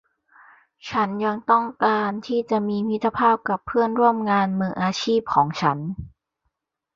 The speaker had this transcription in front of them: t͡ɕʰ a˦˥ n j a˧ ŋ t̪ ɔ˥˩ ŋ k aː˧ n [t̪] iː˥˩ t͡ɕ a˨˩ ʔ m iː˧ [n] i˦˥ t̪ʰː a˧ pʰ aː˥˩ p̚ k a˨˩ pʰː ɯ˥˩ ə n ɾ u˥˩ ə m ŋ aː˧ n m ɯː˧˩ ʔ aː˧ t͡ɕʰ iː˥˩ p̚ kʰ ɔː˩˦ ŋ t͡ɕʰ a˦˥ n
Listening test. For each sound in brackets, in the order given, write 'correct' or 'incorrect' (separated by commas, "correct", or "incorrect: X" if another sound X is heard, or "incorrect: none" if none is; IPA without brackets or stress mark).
incorrect: t̪ʰ, incorrect: m